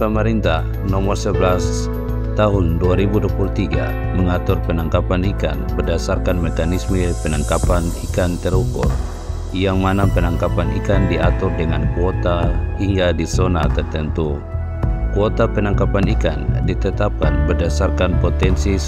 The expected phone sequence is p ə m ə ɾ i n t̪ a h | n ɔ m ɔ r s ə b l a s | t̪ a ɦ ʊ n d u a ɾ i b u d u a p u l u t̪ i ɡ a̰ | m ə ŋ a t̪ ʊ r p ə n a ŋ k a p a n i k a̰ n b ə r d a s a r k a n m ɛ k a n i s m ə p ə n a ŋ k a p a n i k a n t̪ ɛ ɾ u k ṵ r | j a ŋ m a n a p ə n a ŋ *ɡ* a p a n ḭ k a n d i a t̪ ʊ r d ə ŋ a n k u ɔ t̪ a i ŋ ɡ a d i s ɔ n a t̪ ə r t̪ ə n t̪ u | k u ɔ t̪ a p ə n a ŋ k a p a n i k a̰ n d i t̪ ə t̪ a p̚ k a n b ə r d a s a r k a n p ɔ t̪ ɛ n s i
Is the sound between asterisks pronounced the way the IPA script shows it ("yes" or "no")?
no